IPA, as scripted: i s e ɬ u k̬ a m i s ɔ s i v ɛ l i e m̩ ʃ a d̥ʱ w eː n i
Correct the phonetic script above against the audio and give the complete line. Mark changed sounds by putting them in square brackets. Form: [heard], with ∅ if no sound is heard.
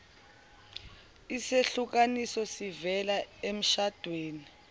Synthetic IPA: i s e ɬ u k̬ a [n] i s ɔ s i v ɛ l [a] e m̩ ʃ a d̥ʱ w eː n i